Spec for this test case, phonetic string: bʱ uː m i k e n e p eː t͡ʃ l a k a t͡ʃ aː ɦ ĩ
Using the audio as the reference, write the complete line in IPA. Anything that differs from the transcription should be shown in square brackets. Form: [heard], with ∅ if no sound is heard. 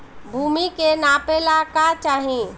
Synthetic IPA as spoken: bʱ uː m i k e n [a] p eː [∅] l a k a t͡ʃ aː ɦ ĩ